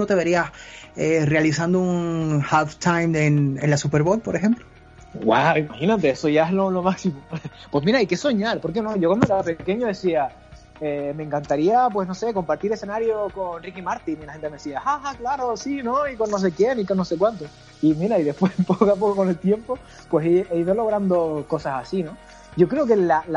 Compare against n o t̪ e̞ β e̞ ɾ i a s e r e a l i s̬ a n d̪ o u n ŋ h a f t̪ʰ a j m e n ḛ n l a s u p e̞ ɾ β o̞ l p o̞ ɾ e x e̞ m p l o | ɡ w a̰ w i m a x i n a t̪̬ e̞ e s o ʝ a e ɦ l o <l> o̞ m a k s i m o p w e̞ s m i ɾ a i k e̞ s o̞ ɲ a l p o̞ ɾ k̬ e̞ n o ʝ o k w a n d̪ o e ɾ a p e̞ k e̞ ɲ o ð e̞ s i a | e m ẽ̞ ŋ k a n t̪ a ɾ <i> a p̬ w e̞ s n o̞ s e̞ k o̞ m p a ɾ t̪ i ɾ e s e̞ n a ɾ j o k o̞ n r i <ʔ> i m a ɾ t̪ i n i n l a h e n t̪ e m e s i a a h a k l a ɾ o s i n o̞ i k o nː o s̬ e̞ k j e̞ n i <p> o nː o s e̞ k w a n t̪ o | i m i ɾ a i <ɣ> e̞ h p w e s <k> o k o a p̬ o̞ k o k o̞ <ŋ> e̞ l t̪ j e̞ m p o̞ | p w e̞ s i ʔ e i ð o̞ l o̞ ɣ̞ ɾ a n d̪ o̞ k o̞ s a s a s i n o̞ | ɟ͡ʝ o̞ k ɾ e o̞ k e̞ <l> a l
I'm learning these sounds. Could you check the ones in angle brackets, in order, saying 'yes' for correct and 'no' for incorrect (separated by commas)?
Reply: yes, yes, no, no, no, no, no, yes